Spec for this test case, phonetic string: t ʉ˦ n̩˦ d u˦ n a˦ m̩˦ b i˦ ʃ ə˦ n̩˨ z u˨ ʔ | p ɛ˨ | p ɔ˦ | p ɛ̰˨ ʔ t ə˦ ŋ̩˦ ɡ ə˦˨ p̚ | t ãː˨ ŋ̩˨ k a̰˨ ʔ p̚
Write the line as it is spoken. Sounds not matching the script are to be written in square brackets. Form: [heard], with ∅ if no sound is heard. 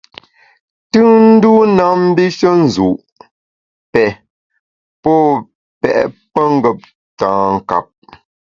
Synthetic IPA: t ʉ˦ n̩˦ d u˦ n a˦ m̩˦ b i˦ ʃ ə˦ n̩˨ z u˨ ʔ | p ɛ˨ | p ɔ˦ | p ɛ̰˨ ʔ [p] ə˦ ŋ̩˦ ɡ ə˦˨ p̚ | t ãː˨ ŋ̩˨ k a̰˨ [∅] p̚